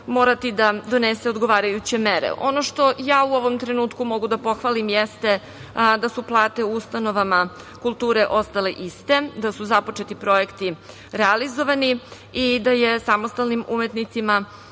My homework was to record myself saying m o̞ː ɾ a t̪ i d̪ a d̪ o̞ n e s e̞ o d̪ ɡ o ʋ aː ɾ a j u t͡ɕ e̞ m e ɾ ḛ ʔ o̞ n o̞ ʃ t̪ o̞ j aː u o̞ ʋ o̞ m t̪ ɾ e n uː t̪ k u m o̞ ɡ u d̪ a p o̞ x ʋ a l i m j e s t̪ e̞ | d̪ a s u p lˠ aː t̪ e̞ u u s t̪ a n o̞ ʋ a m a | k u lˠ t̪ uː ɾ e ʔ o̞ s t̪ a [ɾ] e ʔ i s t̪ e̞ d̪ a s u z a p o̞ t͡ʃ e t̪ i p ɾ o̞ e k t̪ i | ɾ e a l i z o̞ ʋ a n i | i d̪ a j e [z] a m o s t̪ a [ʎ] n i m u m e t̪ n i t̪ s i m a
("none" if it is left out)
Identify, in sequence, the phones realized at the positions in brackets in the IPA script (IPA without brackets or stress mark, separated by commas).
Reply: l, s, l